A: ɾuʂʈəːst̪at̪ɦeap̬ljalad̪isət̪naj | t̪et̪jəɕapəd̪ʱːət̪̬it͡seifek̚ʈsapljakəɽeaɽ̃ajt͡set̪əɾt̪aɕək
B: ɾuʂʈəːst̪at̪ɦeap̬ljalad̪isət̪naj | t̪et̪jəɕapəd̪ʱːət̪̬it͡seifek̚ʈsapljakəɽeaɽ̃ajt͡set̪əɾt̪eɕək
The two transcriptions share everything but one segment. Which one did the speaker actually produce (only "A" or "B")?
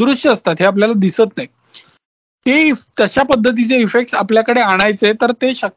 B